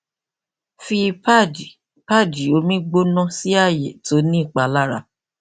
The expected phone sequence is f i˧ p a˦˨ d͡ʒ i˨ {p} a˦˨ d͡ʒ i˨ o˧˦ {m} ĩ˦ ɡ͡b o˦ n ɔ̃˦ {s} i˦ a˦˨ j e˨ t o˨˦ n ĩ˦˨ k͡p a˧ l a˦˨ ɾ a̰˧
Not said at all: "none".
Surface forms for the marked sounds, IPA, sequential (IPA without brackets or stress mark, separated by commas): p, m, s